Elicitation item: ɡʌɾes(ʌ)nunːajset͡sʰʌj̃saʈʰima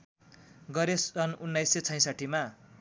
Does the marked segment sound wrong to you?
no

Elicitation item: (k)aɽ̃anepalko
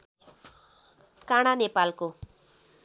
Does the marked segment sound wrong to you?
no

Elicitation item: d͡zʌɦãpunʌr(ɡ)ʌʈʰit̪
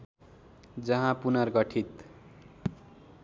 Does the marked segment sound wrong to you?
no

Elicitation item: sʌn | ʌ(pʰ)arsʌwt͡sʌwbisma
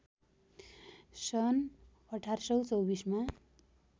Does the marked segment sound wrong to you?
yes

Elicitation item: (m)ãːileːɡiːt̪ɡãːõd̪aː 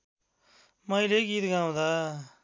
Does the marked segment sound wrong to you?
no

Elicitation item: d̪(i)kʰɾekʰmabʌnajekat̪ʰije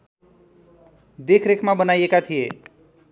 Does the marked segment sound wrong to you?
yes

